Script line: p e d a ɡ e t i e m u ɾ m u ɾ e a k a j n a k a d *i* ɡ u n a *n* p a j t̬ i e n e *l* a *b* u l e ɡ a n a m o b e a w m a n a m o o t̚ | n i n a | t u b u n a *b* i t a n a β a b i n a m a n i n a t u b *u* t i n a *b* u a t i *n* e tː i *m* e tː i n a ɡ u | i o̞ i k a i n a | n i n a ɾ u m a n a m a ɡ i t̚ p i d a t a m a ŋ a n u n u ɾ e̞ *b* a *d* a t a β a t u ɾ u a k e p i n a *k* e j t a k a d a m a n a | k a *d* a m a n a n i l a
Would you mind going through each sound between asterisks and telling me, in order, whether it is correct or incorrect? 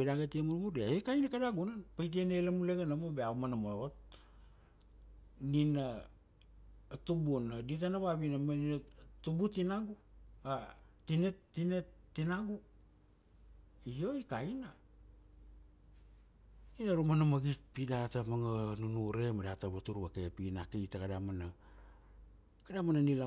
incorrect, correct, correct, incorrect, incorrect, correct, incorrect, correct, incorrect, incorrect, correct, correct, correct

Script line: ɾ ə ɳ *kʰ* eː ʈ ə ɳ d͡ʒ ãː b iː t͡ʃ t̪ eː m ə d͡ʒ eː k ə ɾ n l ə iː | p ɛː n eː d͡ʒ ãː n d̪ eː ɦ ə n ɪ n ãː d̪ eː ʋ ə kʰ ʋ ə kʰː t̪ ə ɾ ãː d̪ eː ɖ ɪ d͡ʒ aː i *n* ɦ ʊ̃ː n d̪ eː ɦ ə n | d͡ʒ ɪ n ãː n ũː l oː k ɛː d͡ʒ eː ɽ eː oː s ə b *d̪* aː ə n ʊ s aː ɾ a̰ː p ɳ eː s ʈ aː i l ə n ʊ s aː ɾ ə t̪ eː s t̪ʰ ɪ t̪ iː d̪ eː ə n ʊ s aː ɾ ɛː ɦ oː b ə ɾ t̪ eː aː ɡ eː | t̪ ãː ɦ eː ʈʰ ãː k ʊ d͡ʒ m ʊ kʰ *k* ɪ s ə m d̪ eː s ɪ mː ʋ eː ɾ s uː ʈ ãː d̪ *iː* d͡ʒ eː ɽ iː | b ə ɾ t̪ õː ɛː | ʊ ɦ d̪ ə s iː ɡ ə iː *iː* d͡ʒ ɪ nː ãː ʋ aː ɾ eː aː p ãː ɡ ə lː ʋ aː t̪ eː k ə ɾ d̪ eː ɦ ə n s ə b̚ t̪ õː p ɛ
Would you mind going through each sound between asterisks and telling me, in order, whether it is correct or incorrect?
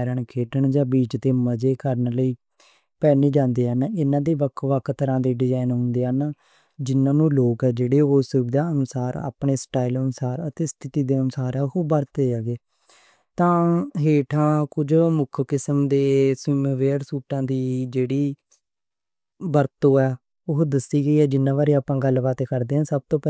correct, correct, correct, correct, correct, incorrect

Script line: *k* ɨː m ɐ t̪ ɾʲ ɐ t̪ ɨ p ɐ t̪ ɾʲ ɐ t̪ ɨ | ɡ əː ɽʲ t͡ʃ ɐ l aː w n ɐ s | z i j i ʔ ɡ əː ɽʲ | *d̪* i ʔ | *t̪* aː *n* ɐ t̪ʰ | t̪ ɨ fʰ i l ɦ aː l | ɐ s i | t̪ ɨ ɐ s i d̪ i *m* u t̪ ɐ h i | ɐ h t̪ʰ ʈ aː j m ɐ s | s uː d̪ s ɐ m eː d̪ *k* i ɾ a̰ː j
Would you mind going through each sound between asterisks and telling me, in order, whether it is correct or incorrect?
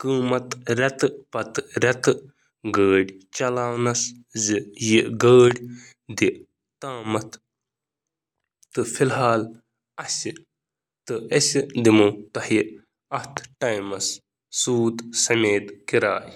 correct, correct, correct, incorrect, correct, correct

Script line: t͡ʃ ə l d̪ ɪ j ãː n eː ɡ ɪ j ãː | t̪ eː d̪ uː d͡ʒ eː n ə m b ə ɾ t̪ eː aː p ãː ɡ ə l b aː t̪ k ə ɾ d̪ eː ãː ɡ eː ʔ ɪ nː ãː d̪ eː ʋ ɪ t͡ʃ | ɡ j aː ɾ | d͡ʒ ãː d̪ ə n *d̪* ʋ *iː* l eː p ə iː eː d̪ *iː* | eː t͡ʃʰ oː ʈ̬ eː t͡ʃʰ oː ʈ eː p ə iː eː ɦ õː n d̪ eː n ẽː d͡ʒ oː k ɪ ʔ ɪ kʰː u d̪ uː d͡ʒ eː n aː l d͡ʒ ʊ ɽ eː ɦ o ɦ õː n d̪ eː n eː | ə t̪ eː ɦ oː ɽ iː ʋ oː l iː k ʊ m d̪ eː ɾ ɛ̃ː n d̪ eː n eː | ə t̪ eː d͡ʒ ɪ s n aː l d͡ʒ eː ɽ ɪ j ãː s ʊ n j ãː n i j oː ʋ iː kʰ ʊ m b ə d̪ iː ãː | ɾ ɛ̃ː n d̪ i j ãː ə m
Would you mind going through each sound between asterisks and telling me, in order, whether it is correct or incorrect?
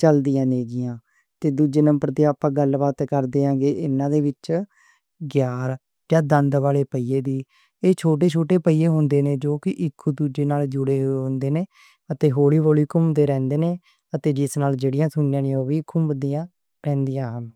correct, incorrect, correct

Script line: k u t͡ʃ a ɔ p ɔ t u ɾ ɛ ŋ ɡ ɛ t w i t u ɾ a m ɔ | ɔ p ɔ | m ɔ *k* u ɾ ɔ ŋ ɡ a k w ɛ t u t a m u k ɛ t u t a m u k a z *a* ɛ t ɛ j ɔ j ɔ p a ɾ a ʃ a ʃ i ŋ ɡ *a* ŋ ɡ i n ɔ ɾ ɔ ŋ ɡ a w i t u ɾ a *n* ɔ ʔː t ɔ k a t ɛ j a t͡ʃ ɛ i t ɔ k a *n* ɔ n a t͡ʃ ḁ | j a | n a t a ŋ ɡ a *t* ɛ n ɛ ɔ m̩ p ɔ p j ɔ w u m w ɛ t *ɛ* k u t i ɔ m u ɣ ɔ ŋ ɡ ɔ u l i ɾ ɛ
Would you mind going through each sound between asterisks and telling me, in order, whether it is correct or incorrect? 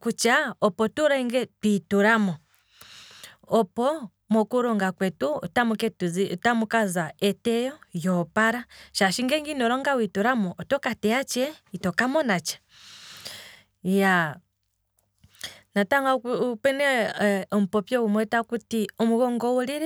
correct, correct, incorrect, incorrect, incorrect, incorrect, incorrect

